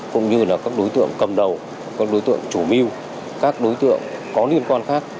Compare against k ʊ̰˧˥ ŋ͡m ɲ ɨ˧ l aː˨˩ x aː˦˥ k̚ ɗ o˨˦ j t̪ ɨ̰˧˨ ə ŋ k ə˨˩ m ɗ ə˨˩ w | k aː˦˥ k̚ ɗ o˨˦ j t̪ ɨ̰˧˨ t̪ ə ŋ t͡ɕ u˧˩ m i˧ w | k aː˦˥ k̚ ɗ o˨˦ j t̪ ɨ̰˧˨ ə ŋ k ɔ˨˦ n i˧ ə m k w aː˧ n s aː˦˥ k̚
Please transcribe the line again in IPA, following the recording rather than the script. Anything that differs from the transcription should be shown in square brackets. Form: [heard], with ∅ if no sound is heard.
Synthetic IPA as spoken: k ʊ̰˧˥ ŋ͡m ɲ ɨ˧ l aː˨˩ [k] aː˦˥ k̚ ɗ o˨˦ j t̪ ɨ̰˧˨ ə ŋ k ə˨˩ m ɗ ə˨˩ w | k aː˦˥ k̚ ɗ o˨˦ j t̪ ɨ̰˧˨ [∅] ə ŋ t͡ɕ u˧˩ m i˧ w | k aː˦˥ k̚ ɗ o˨˦ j t̪ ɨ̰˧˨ ə ŋ k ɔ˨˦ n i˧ ə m k w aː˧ n [x] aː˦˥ k̚